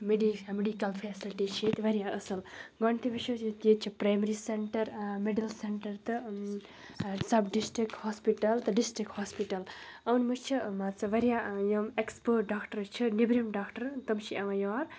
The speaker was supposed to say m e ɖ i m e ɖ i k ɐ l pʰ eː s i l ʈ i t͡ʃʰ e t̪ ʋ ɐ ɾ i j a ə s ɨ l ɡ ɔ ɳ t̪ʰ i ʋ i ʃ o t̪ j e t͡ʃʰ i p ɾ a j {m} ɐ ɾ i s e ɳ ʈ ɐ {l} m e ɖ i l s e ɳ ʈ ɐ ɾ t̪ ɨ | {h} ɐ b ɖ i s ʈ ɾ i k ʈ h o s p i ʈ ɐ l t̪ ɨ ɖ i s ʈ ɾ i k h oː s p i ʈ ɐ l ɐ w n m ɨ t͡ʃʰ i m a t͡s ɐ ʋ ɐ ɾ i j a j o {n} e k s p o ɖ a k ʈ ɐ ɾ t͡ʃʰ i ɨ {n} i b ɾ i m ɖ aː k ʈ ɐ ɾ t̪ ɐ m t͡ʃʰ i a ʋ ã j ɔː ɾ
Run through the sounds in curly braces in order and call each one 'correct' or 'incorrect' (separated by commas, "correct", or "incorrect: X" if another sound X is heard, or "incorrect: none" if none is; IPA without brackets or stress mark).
correct, incorrect: ɾ, incorrect: s, incorrect: m, correct